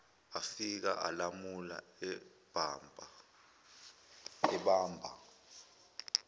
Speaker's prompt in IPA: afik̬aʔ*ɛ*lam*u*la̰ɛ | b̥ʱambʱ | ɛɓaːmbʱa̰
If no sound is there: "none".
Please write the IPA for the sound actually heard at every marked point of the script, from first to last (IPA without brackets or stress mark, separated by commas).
a, u